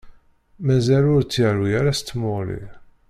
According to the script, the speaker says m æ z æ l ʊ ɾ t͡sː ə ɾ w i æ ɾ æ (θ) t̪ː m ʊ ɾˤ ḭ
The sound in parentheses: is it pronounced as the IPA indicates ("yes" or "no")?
no